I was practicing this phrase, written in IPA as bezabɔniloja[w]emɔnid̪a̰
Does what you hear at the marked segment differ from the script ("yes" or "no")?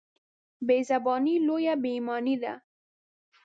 yes